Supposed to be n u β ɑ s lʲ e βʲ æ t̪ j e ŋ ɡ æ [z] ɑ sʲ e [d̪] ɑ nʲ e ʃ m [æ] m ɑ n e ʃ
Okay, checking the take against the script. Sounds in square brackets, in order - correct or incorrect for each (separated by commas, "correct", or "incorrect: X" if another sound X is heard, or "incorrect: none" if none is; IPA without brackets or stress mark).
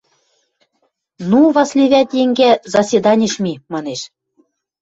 correct, correct, incorrect: i